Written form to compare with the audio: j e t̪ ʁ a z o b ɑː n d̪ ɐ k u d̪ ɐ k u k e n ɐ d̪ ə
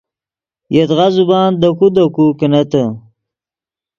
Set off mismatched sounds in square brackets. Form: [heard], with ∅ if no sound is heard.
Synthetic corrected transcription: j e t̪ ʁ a z [u] b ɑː n d̪ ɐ k u d̪ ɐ k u k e n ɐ [t̪] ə